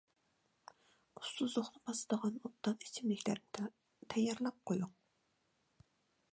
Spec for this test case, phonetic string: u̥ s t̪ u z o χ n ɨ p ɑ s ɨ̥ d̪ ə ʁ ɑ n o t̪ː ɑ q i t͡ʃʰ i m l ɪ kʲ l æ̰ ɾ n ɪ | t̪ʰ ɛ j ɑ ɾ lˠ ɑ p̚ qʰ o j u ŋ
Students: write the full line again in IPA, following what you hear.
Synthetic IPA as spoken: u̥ s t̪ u z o χ n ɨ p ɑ s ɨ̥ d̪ ə ʁ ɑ n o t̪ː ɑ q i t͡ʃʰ i m l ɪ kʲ l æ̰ ɾ n ɪ | t̪ʰ ɛ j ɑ ɾ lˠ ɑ p̚ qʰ o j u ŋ